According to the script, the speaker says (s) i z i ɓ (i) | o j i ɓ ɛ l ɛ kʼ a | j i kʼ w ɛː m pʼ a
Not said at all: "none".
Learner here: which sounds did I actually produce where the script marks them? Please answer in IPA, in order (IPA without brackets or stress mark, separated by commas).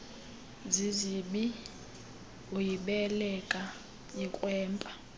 z, i